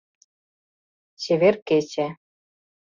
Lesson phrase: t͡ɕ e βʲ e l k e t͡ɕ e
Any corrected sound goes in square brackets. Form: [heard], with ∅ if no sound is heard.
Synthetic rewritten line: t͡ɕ e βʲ e [r] k e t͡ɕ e